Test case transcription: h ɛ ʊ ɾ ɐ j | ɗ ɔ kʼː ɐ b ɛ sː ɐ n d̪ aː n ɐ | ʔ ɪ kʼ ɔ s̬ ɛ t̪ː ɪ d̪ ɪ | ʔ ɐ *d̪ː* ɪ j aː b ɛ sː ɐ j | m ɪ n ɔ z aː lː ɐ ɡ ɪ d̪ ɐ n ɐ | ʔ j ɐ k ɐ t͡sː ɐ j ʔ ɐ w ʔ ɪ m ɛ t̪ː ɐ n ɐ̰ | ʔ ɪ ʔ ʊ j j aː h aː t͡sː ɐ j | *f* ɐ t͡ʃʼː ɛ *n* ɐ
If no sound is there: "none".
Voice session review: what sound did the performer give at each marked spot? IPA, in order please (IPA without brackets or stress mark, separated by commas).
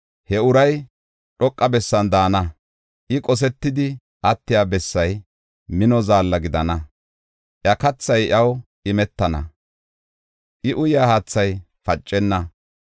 t̪ː, f, nː